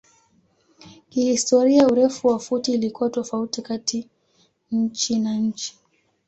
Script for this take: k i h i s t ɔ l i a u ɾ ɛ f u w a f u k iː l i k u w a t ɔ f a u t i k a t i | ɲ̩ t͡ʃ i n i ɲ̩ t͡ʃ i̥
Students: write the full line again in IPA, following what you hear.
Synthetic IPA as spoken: k i h i s t ɔ ɾ i a u ɾ ɛ f u w a f u t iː l i k u w a t ɔ f a u t i k a t i | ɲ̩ t͡ʃ i n a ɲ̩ t͡ʃ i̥